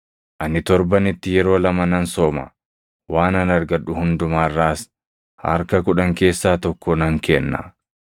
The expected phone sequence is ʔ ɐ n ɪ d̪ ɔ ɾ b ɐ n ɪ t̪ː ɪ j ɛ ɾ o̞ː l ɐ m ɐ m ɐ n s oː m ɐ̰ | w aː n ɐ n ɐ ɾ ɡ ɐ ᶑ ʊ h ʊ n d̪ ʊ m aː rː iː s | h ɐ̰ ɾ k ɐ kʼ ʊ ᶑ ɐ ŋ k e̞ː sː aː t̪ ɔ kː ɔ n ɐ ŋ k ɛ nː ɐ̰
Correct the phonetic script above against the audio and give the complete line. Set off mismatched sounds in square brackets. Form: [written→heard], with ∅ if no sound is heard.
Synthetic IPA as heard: ʔ ɐ n ɪ [d̪→t̪] ɔ ɾ b ɐ n ɪ t̪ː ɪ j ɛ ɾ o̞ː l ɐ m ɐ [m→n] ɐ n s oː m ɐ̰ | w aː n ɐ n ɐ ɾ ɡ ɐ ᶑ ʊ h ʊ n d̪ ʊ m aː rː [iː→aː] s | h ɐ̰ ɾ k ɐ [kʼ→k] ʊ ᶑ ɐ ŋ k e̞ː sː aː t̪ ɔ kː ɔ n ɐ ŋ k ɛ nː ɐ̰